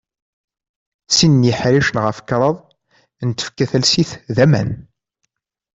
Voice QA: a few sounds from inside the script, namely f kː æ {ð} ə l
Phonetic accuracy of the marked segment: incorrect: θ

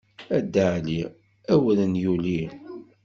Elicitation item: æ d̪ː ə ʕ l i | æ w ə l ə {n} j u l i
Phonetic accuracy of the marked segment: correct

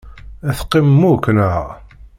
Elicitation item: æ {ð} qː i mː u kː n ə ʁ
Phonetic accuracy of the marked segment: incorrect: θ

